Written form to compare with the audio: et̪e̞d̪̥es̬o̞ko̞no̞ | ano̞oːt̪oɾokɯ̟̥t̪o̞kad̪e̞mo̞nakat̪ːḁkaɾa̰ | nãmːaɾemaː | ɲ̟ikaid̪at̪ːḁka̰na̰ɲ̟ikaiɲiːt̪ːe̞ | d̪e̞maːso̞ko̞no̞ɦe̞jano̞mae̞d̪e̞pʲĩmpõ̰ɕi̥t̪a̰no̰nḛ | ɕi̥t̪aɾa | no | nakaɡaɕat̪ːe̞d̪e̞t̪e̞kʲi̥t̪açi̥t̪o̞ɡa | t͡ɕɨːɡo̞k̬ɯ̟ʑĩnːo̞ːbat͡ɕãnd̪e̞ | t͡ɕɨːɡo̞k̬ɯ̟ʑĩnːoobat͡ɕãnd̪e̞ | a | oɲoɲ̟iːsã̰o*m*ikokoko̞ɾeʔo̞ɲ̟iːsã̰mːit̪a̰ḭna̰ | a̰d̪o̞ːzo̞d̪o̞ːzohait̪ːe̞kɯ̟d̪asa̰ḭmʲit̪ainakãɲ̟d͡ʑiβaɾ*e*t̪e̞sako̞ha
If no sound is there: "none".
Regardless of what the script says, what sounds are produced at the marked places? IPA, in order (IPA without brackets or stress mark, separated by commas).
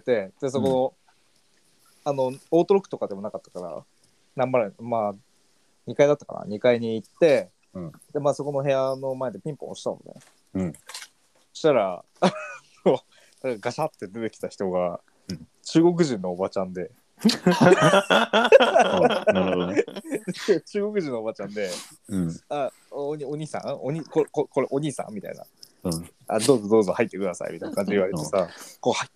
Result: ɲ, e